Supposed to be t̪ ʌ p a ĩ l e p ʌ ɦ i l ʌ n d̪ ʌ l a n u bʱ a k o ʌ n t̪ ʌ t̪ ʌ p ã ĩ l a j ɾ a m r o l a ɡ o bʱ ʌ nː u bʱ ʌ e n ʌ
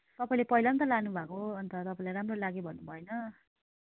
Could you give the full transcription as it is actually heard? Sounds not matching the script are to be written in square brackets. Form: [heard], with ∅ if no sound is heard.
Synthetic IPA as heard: t̪ ʌ p a ĩ l e p ʌ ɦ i l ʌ n [t̪] ʌ l a n u bʱ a k o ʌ n t̪ ʌ t̪ ʌ p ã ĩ l a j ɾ a m r o l a ɡ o bʱ ʌ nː u bʱ ʌ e n ʌ

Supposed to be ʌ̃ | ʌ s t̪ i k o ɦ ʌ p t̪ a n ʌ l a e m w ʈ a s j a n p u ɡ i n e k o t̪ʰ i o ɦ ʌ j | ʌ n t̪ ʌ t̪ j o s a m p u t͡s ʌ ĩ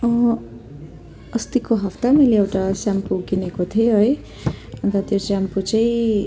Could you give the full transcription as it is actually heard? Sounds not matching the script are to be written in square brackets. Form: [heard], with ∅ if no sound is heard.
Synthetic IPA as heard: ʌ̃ | ʌ s t̪ i k o ɦ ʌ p t̪ a [m] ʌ l [e] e [∅] w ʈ a s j a [m] p u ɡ i n e k o t̪ʰ i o ɦ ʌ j | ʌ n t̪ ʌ t̪ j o s a m p u t͡s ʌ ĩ

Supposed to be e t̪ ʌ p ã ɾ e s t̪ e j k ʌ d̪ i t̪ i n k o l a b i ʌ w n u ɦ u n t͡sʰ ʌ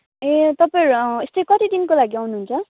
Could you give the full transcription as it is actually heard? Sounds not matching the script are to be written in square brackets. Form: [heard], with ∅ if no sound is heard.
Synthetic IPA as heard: e t̪ ʌ p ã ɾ e s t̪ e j k ʌ [t̪] i [d̪] i n k o l a [ɡ] i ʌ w n u ɦ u n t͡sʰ ʌ

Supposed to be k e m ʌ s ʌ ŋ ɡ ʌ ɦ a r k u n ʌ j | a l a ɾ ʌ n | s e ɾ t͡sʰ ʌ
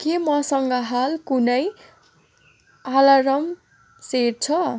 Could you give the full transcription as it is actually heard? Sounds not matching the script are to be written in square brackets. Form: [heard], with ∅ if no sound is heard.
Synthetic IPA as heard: k e m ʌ s ʌ ŋ ɡ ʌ ɦ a [l] k u n ʌ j | a l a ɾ ʌ [m] | s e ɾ t͡sʰ ʌ

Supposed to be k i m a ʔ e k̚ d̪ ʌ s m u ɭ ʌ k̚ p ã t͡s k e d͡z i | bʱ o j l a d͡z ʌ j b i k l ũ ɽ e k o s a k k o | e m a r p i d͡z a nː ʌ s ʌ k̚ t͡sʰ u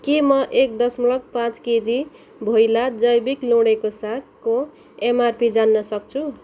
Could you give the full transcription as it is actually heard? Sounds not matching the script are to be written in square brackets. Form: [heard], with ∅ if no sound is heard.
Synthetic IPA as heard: k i m [ʌ] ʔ e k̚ d̪ ʌ s m u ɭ ʌ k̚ p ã t͡s k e d͡z i | bʱ o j l a d͡z ʌ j b i k l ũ ɽ e k o s a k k o | e m a r p i d͡z a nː ʌ s ʌ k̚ t͡sʰ u

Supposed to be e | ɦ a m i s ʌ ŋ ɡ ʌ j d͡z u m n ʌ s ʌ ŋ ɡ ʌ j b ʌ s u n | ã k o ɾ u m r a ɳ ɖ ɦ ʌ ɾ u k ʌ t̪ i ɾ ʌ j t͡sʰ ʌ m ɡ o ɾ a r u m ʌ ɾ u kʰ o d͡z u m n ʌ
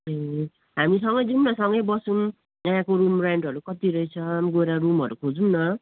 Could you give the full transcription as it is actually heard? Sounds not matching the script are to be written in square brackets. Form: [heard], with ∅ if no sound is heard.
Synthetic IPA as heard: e | ɦ a m i s ʌ ŋ ɡ ʌ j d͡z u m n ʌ s ʌ ŋ ɡ ʌ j b ʌ s u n | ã k o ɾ u m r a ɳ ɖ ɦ ʌ ɾ u k ʌ t̪ i ɾ ʌ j t͡sʰ ʌ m ɡ o ɾ a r u m ʌ ɾ u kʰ o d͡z u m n ʌ

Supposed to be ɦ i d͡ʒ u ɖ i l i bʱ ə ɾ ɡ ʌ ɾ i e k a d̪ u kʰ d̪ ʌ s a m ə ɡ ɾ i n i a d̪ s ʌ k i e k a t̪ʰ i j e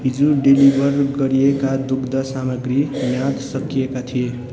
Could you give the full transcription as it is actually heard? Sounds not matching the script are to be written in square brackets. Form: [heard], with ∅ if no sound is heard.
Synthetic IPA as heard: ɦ i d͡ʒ u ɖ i l i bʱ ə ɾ ɡ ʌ ɾ i e k a d̪ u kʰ d̪ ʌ s a m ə ɡ ɾ i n [j] a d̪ s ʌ k i e k a t̪ʰ i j e

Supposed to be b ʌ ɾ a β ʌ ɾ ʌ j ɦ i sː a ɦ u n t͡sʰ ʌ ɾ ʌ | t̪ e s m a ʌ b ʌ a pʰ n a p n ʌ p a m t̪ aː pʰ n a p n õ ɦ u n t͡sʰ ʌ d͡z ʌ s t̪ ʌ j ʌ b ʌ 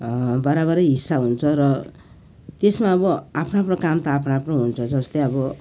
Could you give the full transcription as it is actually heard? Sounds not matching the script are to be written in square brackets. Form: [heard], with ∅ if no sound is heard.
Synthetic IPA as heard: b ʌ ɾ a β ʌ ɾ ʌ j ɦ i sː a ɦ u n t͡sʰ ʌ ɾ ʌ | t̪ e s m a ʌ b ʌ a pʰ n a p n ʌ [k] a m t̪ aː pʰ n a p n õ ɦ u n t͡sʰ ʌ d͡z ʌ s t̪ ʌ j ʌ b ʌ

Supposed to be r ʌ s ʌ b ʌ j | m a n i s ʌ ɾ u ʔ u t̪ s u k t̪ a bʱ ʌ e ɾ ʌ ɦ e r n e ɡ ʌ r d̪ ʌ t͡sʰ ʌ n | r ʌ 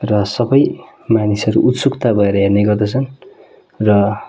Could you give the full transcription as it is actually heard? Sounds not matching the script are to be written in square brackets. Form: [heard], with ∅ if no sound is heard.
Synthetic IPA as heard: r ʌ s ʌ b ʌ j | m a n i s ʌ ɾ u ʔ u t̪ s u k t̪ a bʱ ʌ e ɾ ʌ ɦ e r n e ɡ ʌ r d̪ ʌ t͡sʰ ʌ n | r ʌ

